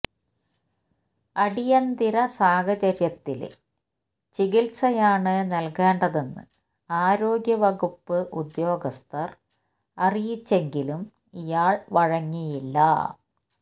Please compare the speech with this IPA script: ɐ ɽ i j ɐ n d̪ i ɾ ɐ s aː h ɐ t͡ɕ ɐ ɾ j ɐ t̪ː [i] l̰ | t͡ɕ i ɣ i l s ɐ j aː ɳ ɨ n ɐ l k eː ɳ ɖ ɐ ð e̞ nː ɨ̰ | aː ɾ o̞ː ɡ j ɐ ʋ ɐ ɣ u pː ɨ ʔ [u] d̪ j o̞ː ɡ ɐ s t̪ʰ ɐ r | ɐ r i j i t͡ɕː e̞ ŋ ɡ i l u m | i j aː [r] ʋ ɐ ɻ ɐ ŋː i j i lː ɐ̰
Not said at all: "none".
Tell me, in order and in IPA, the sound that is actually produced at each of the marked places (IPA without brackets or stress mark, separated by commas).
i, u, ɭ